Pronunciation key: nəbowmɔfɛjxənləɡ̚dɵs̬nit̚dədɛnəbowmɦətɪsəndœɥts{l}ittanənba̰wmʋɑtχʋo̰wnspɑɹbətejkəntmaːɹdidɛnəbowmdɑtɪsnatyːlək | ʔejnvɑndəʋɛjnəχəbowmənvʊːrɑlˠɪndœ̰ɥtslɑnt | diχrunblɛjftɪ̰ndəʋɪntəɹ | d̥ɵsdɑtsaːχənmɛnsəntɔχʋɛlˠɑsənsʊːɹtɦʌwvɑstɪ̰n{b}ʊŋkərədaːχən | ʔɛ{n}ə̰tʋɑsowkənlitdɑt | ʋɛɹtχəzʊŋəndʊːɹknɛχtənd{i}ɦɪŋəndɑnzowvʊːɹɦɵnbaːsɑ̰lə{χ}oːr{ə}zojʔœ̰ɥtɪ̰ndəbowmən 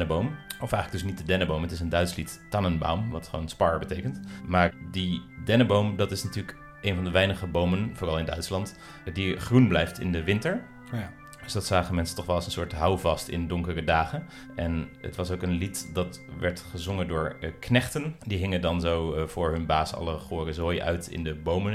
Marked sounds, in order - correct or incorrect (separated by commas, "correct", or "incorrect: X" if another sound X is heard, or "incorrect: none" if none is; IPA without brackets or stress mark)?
correct, incorrect: d, correct, correct, correct, correct